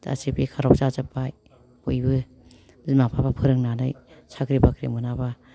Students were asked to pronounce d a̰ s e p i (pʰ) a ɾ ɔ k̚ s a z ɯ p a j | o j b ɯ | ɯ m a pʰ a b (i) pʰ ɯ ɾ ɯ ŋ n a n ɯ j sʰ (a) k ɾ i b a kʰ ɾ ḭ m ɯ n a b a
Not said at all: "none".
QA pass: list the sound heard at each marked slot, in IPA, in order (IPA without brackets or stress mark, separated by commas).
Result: kʰ, a, a